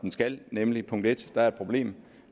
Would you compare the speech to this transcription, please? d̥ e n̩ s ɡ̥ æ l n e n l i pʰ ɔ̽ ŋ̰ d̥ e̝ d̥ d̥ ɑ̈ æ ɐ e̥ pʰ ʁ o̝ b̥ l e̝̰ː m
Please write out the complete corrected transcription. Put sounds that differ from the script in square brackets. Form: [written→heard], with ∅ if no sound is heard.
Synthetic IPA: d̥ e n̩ s ɡ̥ æ l n e [n→m] l i pʰ ɔ̽ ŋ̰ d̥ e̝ d̥ d̥ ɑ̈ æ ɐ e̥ pʰ ʁ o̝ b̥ l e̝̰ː m